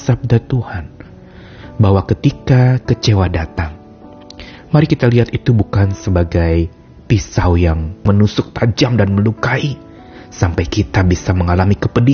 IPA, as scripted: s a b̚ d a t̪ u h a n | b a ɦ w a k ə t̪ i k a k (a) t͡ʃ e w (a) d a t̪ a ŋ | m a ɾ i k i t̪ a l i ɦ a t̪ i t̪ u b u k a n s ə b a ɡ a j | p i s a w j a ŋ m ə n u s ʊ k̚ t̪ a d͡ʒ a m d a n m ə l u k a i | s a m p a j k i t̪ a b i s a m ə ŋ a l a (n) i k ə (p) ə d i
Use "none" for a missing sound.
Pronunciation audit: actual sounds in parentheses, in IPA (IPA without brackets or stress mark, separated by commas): ə, a, m, p